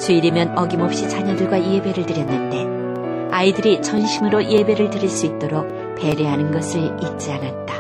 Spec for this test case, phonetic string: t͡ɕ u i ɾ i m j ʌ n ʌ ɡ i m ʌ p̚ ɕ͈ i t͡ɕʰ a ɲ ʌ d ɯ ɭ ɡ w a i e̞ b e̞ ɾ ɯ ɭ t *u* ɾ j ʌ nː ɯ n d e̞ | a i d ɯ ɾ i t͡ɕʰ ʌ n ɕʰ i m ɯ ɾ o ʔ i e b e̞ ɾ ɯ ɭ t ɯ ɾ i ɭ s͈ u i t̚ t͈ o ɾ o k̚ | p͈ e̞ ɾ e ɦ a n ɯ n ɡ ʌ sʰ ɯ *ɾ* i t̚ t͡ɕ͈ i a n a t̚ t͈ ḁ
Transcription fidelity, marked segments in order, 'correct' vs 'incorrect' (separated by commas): incorrect, incorrect